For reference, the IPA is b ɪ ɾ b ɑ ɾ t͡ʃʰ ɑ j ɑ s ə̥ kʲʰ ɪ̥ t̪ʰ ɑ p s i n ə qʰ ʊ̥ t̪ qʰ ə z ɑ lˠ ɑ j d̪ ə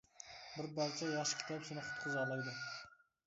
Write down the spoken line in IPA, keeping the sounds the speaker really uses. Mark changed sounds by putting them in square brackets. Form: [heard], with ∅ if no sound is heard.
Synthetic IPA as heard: b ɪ ɾ b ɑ ɾ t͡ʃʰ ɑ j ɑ [ʃ] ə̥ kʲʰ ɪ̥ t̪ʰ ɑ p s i n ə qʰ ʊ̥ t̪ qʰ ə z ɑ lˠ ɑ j d̪ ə